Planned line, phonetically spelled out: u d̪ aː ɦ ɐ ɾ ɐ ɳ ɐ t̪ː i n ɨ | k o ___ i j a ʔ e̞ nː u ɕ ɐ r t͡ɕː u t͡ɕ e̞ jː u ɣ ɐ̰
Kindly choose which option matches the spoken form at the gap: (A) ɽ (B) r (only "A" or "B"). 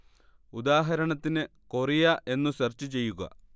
B